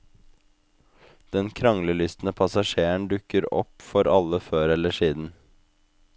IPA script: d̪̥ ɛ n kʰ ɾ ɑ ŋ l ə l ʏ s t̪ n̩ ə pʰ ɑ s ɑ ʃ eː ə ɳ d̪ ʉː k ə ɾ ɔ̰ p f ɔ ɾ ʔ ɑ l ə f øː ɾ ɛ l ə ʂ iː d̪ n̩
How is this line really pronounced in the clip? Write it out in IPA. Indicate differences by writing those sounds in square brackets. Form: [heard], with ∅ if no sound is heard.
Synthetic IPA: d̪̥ ɛ n kʰ ɾ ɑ ŋ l ə l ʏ s t̪ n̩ ə pʰ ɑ s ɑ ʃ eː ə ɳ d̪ [ʉ] k ə ɾ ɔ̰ p f ɔ ɾ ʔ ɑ l ə f øː ɾ ɛ l ə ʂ iː d̪ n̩

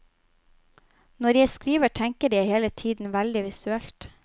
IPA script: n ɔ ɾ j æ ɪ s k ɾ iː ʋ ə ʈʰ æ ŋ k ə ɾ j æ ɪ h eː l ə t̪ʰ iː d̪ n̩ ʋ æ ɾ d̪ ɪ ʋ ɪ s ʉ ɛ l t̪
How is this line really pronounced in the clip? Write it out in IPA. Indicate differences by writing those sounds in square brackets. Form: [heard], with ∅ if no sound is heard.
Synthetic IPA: n ɔ ɾ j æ ɪ s k ɾ iː ʋ ə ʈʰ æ ŋ k ə ɾ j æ ɪ h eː l ə t̪ʰ iː d̪ n̩ ʋ æ [l] d̪ ɪ ʋ ɪ s ʉ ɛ l t̪

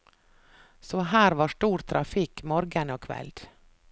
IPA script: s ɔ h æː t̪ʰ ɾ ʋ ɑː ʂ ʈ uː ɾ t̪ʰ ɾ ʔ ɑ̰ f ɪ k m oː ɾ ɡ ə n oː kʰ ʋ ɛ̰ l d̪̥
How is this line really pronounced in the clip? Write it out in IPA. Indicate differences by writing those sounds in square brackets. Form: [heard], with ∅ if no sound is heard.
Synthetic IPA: s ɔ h æː [∅] ɾ ʋ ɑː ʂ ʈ uː ɾ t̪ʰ ɾ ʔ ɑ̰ f ɪ k m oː ɾ ɡ ə n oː kʰ ʋ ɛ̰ l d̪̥

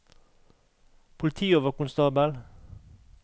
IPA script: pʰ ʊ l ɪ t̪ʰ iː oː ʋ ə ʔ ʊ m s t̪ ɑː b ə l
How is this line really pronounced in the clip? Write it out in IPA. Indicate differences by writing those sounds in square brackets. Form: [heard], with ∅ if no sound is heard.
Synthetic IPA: pʰ ʊ l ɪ t̪ʰ iː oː ʋ ə [k] ʊ [n] s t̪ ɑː b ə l

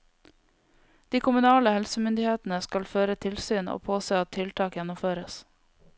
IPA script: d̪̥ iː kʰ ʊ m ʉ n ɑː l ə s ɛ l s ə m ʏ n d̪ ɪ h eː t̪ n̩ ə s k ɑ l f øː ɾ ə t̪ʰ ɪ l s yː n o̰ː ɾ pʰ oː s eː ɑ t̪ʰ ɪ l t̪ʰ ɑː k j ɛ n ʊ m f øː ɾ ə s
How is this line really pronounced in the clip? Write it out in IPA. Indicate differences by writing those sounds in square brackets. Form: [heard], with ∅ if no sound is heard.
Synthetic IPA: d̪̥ iː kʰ ʊ m ʉ n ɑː l ə [h] ɛ l s ə m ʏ n d̪ ɪ h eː t̪ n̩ ə s k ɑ l f øː ɾ ə t̪ʰ ɪ l s yː n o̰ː [∅] pʰ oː s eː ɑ t̪ʰ ɪ l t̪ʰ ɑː k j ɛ n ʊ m f øː ɾ ə s

